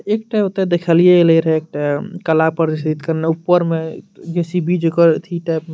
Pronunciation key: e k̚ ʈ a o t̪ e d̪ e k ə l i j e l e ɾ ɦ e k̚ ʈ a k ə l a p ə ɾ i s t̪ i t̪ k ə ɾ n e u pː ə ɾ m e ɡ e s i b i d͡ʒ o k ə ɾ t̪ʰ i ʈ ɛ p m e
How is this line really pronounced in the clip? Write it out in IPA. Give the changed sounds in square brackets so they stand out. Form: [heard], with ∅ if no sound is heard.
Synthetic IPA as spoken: e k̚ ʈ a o t̪ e d̪ e [kʰ] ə l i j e l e ɾ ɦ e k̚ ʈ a k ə l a p ə ɾ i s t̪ i t̪ k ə ɾ n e u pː ə ɾ m e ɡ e s i b i d͡ʒ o k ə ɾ t̪ʰ i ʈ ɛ p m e